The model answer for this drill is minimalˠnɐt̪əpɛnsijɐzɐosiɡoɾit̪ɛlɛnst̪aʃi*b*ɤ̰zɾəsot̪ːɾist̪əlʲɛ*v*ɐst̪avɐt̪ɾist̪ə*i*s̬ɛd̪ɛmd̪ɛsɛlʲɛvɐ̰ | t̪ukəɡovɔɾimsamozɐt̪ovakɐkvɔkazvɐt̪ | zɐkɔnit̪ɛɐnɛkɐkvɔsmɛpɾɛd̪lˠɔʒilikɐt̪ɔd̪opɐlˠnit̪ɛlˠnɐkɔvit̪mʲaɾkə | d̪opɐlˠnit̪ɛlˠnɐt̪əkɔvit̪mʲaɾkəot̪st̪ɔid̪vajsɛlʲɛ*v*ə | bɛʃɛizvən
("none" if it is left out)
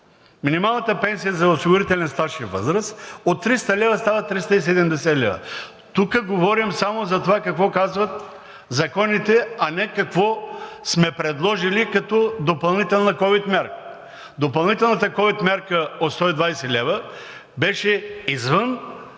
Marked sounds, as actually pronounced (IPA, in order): v, v, i, v

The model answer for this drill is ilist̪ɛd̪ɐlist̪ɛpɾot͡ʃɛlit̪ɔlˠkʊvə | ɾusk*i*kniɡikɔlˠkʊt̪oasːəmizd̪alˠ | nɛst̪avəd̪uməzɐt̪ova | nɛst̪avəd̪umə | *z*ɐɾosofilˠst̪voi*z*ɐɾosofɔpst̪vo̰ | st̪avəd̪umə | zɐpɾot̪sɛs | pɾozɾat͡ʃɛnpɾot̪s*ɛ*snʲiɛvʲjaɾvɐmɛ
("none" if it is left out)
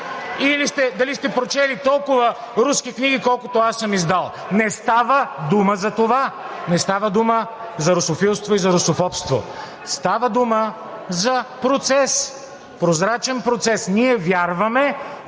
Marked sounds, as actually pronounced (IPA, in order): i, z, z, ɛ

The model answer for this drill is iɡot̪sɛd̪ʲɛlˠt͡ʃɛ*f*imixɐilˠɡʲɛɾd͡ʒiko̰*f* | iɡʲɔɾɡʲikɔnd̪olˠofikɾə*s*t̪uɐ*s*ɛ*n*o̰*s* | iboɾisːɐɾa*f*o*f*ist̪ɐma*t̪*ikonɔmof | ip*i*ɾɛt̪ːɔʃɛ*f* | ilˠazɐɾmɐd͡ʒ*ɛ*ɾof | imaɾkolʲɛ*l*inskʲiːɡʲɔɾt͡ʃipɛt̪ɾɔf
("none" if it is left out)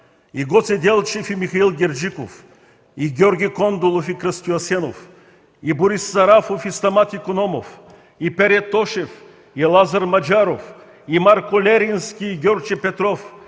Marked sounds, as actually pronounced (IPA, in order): f, f, s, s, n, f, f, f, t̪, ɛ, f, a, ɾ

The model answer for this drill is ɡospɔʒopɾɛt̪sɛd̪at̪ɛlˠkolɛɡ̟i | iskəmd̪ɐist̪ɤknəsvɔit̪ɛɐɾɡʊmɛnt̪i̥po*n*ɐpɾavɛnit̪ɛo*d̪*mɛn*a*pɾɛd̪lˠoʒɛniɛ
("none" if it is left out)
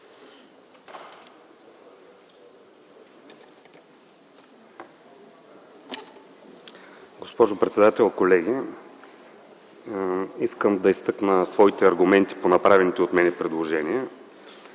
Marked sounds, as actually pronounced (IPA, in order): n, t̪, ɛ

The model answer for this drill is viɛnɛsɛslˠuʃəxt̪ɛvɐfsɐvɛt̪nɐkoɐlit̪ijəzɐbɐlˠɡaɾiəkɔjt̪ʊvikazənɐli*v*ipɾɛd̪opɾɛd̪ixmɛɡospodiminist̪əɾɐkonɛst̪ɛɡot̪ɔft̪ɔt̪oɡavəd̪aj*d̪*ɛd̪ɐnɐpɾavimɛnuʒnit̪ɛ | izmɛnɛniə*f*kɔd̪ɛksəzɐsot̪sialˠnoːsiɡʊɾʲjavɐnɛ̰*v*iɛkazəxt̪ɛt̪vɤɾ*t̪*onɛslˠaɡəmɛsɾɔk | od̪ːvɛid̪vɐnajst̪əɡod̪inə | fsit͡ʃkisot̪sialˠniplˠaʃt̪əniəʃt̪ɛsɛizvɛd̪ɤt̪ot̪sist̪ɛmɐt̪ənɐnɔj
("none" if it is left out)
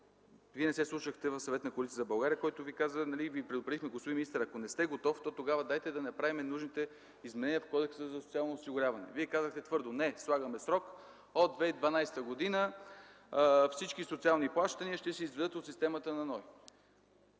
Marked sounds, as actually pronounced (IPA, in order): v, t̪, f, v, d̪

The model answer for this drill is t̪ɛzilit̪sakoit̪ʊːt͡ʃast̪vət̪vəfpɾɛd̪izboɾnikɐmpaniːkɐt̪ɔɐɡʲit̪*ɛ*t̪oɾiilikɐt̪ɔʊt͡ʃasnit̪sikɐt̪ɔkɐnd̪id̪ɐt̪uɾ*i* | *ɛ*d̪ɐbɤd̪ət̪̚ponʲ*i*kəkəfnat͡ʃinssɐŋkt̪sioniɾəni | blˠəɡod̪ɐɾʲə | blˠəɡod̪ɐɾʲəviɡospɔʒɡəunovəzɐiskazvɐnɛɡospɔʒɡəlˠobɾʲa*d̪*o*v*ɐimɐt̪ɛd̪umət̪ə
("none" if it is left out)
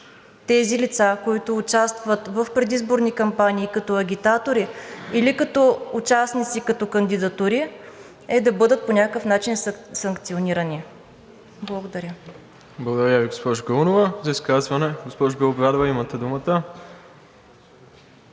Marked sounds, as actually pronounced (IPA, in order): a, i, ɛ, a, d̪, v

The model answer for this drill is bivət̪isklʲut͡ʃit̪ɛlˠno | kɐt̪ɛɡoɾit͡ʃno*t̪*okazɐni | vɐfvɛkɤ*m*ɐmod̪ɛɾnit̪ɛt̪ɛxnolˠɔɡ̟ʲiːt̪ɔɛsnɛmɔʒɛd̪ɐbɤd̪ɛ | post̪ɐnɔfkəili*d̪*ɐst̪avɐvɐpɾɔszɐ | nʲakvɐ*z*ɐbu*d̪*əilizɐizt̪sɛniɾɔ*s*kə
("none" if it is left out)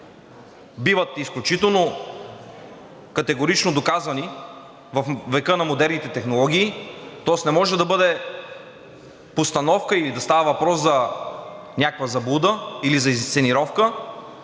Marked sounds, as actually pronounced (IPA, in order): d̪, n, d̪, z, d̪, f

